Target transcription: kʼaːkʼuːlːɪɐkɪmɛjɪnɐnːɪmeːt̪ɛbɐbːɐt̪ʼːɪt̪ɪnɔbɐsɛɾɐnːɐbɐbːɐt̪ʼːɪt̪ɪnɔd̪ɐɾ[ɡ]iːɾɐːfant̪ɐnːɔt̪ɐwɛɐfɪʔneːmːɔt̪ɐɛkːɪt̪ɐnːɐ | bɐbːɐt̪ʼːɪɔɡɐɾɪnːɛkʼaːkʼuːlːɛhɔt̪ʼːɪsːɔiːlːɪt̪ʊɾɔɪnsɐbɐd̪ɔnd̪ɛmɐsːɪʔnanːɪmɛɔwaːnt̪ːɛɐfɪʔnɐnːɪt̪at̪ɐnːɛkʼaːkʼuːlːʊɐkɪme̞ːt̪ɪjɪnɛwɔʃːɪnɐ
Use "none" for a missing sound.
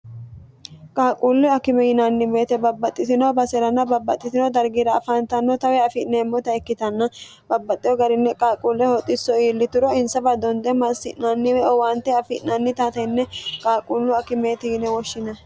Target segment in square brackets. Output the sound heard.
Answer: ɡ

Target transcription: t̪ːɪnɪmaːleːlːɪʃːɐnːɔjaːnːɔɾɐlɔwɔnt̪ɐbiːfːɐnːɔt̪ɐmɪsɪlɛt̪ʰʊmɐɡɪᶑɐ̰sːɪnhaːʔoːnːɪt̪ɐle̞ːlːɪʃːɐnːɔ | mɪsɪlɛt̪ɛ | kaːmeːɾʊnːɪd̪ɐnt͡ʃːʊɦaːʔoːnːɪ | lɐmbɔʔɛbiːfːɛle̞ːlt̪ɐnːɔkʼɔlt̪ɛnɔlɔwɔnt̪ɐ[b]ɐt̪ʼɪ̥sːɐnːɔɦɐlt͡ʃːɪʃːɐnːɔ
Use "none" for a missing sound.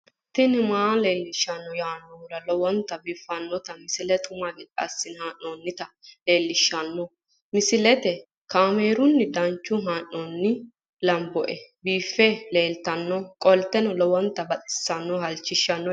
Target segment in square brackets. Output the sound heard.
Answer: b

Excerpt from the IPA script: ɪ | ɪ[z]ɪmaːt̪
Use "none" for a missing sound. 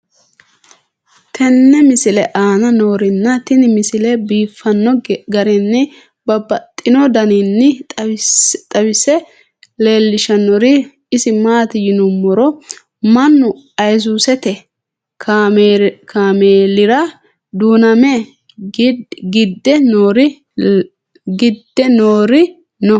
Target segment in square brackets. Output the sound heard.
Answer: s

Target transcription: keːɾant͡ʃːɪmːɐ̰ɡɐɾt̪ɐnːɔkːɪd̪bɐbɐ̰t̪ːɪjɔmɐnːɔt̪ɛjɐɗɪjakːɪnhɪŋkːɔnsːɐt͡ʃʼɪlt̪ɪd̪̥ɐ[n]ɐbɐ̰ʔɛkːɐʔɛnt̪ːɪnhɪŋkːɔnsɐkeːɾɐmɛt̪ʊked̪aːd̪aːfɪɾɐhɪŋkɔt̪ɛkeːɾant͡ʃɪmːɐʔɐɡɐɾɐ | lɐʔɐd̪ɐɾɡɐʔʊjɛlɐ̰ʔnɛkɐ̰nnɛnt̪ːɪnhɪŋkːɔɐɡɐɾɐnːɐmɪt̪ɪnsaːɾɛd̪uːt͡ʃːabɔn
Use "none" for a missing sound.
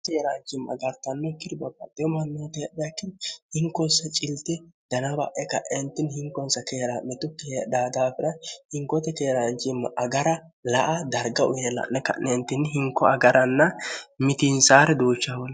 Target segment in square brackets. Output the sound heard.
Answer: n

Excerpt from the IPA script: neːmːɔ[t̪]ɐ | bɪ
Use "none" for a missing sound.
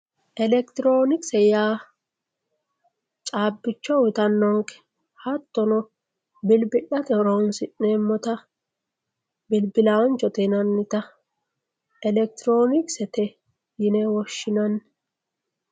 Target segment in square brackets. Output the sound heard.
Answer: t̪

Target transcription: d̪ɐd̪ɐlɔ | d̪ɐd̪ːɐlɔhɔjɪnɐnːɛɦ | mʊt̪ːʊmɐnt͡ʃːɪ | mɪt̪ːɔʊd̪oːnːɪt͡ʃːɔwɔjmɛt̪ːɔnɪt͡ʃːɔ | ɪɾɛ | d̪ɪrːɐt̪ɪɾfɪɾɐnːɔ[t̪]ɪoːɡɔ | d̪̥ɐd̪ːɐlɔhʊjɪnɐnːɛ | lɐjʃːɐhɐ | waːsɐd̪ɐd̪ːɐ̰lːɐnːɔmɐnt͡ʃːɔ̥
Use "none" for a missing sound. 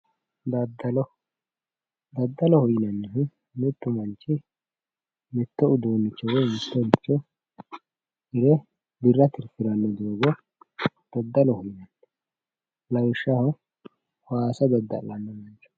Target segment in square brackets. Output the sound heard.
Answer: d̪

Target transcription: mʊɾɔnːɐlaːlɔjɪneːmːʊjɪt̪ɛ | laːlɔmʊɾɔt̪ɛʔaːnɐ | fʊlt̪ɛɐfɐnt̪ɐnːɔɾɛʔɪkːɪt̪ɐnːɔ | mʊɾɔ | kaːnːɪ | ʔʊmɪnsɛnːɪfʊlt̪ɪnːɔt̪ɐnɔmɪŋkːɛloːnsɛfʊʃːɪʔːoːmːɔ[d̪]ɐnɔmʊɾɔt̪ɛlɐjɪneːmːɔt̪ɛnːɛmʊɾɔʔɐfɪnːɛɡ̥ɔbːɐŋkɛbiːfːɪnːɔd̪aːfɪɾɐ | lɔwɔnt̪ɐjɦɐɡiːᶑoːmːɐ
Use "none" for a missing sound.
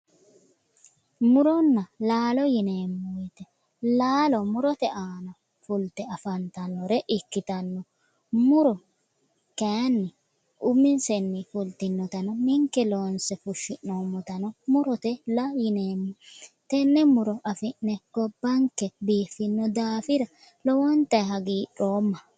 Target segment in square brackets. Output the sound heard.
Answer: t̪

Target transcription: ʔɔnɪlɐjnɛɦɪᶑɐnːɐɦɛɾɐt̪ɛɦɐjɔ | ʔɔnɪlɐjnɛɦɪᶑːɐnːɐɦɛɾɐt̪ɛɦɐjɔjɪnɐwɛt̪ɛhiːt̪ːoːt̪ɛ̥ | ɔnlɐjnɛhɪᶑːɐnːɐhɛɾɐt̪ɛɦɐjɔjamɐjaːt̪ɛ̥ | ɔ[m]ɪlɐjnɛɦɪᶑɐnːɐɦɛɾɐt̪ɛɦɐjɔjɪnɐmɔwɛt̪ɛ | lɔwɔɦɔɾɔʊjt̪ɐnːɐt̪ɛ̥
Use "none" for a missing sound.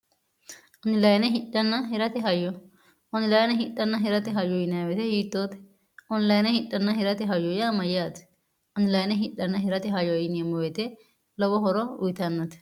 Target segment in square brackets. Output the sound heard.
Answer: n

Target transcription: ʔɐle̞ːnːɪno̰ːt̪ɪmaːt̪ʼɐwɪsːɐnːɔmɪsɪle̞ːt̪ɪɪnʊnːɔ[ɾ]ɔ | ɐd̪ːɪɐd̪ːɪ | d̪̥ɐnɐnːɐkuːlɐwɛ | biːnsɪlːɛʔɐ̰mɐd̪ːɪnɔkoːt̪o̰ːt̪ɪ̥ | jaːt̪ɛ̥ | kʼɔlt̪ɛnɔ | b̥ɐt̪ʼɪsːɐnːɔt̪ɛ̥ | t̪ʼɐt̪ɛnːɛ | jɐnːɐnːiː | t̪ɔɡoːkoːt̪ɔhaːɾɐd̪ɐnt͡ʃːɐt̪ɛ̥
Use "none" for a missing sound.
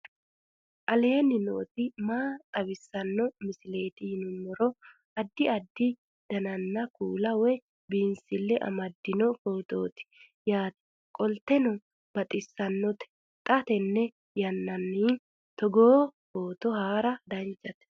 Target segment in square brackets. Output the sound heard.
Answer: ɾ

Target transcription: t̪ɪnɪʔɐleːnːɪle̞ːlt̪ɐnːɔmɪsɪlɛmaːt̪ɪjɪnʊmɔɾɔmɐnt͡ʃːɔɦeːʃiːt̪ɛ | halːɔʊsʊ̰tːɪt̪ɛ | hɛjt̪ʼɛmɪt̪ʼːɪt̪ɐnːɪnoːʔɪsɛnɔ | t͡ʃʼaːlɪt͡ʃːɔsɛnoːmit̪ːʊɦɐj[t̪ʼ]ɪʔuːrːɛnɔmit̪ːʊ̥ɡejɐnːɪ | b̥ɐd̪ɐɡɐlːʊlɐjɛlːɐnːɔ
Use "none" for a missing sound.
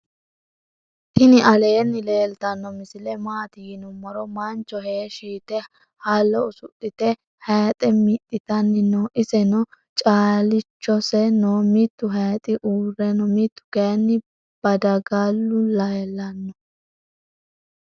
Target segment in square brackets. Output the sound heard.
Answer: t̪ʼ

